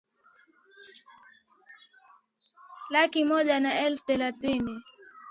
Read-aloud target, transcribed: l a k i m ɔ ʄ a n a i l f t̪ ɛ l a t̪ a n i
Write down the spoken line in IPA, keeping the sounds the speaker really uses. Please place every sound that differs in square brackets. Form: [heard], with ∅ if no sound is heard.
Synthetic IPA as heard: l a k i m ɔ ʄ a n a [ɛ] l f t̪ ɛ l a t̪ [i] n i

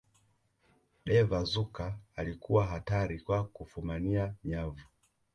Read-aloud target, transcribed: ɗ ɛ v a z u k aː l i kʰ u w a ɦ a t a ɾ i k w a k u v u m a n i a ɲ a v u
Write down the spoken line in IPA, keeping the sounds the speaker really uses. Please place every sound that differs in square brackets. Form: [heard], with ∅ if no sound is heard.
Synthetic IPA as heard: ɗ ɛ v a z u k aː l i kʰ u w a ɦ a t a ɾ i k w a k u [f] u m a n i a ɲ a v u

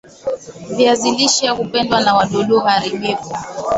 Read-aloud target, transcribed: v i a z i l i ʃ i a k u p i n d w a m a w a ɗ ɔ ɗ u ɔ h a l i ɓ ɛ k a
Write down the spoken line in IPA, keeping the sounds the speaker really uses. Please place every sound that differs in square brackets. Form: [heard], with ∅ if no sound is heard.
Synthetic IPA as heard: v i a z i l i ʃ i a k u p [ɛ] n d w a [n] a w a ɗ ɔ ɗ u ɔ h a [ɾ] i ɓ ɛ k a

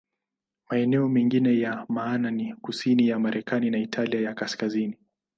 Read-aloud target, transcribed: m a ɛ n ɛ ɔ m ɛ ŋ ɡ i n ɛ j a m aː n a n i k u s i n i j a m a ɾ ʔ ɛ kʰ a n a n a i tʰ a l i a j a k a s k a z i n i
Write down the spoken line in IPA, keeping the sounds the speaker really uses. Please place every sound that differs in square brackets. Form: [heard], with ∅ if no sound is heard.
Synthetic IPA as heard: m a ɛ n ɛ ɔ m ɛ ŋ ɡ i n ɛ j a m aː n a n i k u s i n i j a m a ɾ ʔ ɛ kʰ a n [i] n a i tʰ a l i a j a k a s k a z i n i

